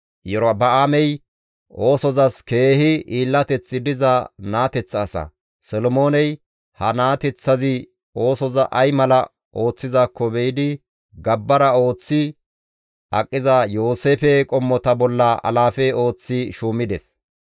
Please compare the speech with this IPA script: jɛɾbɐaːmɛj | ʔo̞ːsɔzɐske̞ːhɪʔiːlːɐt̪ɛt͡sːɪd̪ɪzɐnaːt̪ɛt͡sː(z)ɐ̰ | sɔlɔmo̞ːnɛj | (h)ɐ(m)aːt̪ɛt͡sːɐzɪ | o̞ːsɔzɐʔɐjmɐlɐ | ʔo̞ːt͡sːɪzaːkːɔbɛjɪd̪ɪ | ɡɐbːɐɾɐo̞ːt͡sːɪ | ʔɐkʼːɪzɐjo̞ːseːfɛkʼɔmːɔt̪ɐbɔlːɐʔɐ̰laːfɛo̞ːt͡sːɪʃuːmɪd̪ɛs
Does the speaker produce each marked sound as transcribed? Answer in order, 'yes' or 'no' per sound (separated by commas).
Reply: no, yes, no